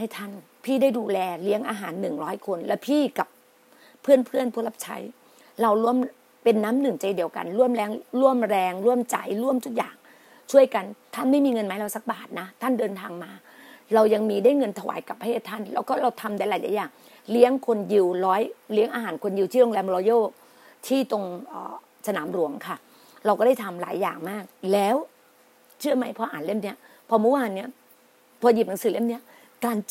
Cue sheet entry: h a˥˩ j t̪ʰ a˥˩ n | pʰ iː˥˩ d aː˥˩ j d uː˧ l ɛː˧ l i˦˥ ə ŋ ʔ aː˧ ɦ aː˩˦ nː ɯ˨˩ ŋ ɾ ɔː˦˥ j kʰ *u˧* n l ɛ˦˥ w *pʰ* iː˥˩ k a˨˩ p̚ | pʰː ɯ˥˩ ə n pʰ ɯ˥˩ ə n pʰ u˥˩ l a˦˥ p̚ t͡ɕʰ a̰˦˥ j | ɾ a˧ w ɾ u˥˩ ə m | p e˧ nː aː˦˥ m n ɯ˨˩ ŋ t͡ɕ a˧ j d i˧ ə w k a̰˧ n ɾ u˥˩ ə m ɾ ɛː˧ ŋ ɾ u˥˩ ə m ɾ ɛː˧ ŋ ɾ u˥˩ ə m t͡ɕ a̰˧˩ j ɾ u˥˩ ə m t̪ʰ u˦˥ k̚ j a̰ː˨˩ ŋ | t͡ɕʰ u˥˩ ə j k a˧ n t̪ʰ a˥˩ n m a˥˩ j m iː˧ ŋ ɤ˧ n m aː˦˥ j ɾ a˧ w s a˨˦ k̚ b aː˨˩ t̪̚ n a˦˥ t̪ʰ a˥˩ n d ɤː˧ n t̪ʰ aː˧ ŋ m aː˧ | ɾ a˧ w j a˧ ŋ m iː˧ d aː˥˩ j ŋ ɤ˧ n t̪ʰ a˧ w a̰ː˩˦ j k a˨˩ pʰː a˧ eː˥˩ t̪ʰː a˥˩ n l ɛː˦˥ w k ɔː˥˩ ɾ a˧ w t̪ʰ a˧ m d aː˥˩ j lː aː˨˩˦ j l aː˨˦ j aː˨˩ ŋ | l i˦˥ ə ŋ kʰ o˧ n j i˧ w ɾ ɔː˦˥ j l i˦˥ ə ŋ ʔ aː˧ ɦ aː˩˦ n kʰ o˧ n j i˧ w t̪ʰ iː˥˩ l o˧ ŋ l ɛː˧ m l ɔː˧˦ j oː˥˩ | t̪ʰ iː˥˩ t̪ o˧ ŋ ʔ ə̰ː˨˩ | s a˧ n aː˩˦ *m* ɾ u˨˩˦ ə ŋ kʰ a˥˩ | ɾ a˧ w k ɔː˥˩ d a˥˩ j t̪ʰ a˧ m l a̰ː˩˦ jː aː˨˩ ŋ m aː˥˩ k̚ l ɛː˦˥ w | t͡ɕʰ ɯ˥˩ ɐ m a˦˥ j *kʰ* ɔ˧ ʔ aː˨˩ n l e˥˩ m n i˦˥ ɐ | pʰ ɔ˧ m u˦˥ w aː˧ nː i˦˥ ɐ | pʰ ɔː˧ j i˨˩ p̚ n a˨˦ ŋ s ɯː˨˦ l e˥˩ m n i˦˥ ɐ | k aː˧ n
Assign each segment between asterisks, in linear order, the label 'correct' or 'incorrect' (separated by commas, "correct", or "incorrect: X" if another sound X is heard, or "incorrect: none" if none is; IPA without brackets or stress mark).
incorrect: o˧, correct, correct, incorrect: pʰ